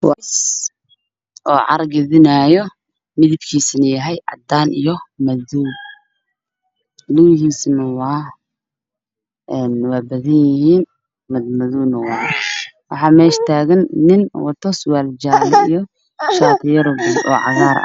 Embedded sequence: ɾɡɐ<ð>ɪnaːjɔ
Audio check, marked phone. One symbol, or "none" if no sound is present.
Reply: ð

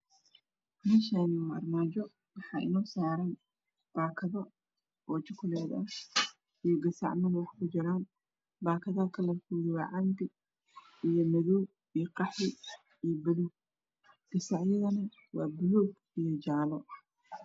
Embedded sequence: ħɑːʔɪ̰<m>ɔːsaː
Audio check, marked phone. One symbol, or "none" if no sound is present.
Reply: n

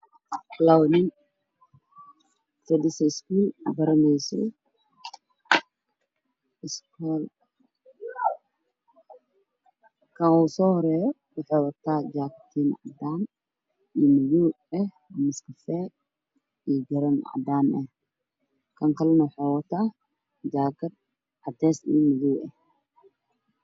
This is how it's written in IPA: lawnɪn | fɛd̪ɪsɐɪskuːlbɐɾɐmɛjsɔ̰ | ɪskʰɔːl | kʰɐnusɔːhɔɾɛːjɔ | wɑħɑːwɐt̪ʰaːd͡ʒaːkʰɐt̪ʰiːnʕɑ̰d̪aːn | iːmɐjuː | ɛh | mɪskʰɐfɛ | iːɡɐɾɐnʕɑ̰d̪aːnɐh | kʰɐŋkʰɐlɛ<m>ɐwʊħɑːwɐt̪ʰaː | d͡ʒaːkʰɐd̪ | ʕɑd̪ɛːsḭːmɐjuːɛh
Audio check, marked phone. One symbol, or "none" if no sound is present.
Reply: n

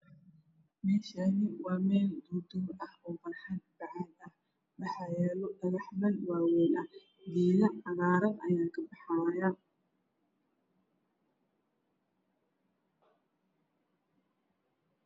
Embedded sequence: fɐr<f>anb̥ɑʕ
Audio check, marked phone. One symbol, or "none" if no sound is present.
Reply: ħ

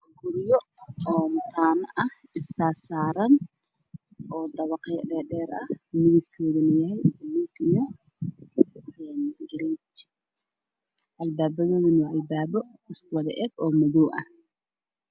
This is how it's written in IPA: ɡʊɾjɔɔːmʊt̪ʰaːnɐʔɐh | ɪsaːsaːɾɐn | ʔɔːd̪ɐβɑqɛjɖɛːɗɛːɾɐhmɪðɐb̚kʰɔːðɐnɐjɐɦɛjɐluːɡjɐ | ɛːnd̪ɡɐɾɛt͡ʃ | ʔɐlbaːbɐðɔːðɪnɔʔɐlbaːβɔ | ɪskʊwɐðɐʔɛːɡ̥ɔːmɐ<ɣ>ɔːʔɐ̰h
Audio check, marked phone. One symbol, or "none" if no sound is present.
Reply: ð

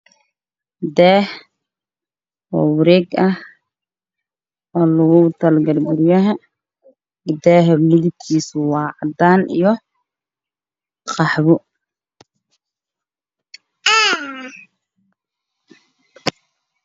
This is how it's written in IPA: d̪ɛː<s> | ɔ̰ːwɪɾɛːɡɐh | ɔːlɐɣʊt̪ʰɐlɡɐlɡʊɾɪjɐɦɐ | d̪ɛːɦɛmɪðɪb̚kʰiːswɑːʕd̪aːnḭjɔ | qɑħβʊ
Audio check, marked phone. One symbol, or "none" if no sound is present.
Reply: h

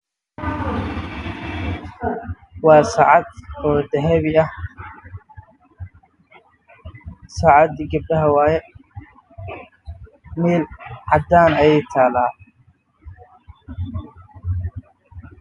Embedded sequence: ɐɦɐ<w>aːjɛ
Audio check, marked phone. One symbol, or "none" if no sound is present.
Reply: w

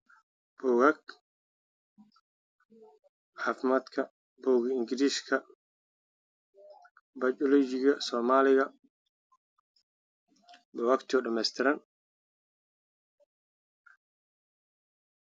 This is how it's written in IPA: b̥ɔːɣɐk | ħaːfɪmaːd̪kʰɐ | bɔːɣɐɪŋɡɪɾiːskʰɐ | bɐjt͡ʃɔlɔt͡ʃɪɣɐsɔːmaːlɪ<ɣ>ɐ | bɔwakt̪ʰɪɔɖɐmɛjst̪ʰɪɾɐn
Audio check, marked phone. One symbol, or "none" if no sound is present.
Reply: ɣ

